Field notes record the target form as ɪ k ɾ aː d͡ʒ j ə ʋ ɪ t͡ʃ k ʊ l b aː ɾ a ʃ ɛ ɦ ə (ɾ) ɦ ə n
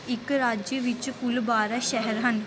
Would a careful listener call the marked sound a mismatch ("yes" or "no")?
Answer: no